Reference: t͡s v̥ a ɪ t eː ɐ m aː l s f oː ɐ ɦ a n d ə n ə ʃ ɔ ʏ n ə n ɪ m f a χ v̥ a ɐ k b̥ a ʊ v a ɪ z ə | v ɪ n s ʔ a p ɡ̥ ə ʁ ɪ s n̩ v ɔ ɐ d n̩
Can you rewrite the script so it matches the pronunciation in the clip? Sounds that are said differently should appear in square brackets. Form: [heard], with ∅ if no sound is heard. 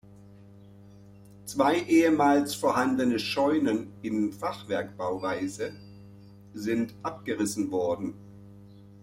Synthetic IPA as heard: t͡s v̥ a ɪ [ʔ] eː [ə] m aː l s f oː ɐ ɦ a n d ə n ə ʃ ɔ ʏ n ə n ɪ [n] f a χ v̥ [ɛ] ɐ k b̥ a ʊ v a ɪ z ə | [z] ɪ n [t] ʔ a p ɡ̥ ə ʁ ɪ s n̩ v ɔ ɐ d n̩